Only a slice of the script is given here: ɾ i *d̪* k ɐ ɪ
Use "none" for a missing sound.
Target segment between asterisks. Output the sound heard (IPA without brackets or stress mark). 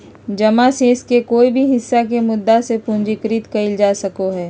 t̪